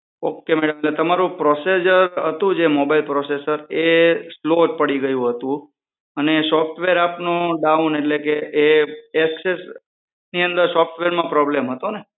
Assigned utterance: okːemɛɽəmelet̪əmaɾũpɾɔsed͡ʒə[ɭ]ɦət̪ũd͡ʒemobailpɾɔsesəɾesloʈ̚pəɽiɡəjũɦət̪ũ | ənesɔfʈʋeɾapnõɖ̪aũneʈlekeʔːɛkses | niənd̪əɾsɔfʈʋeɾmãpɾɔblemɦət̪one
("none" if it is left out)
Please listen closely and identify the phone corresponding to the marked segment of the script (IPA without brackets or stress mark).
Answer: ɾ